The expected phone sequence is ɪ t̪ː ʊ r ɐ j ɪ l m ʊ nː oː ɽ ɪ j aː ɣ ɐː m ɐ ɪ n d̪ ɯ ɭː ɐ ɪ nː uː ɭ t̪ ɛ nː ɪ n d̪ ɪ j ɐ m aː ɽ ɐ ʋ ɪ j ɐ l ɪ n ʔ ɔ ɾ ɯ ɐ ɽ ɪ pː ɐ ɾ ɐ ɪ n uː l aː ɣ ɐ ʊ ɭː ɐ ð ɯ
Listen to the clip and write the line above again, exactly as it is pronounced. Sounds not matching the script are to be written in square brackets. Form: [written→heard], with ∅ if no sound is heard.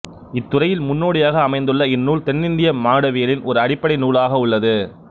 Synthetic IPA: ɪ t̪ː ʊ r ɐ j ɪ l m ʊ nː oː ɽ ɪ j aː ɣ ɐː m ɐ ɪ n d̪ ɯ ɭː ɐ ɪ nː uː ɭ t̪ ɛ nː ɪ n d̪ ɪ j ɐ m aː ɽ ɐ ʋ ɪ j ɐ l ɪ n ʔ ɔ ɾ ɯ ɐ ɽ ɪ pː ɐ [ɾ→ɽ] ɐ ɪ n uː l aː ɣ ɐ ʊ ɭː ɐ ð ɯ